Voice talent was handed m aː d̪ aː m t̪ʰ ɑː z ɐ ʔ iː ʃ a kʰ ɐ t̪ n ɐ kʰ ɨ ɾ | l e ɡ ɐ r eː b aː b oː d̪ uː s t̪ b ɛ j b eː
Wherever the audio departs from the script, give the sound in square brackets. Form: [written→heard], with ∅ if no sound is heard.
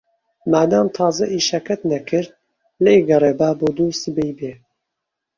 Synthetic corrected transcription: m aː d̪ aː m t̪ʰ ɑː z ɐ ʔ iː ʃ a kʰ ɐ t̪ n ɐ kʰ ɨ ɾ | l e ɡ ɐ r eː b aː b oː d̪ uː s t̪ b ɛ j b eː